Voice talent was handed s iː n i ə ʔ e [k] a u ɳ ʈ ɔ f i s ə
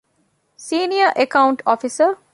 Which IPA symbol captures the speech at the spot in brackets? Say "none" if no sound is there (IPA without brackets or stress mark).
k